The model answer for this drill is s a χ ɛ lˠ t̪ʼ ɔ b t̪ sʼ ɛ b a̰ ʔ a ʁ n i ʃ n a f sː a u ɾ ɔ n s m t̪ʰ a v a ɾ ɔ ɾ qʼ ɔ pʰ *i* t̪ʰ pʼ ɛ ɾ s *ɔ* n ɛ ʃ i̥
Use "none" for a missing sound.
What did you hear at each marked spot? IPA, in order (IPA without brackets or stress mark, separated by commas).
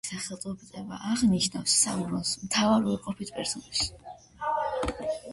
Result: i, ɔ